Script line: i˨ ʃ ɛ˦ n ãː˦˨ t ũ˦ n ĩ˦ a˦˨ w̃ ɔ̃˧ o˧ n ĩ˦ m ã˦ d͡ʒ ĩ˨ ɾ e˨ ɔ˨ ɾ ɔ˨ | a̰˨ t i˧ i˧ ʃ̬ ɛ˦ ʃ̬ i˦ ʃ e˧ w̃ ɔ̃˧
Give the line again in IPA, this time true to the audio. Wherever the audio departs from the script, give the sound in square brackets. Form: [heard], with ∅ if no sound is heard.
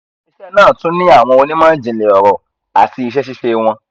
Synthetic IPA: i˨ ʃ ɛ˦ n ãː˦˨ t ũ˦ n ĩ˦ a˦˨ w̃ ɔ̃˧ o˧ n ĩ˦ m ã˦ d͡ʒ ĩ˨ [l] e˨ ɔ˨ ɾ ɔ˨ | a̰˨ t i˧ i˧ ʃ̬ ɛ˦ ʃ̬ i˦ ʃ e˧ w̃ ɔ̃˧